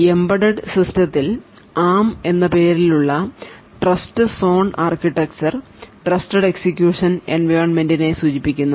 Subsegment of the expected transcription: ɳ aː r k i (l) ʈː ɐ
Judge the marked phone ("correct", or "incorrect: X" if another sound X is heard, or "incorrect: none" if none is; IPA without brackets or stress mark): incorrect: none